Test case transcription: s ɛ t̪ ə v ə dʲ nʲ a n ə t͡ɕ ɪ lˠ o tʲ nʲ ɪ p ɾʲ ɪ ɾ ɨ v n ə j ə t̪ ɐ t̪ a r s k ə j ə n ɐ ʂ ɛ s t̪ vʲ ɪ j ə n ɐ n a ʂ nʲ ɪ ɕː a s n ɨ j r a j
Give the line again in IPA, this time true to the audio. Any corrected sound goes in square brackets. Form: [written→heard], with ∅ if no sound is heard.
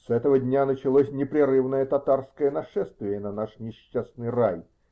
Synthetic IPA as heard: s ɛ t̪ ə v ə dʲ nʲ a n ə t͡ɕ ɪ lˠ o [tʲ→sʲ] nʲ ɪ p ɾʲ ɪ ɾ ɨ v n ə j ə t̪ ɐ t̪ a r s k ə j ə n ɐ ʂ ɛ s t̪ vʲ ɪ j ə n ɐ n a ʂ nʲ ɪ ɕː a s n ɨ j r a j